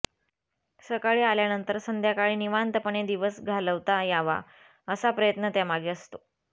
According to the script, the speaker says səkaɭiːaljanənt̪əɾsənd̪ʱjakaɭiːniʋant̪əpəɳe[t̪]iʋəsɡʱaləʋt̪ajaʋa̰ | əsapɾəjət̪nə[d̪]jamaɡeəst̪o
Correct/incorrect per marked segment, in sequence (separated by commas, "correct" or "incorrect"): incorrect, incorrect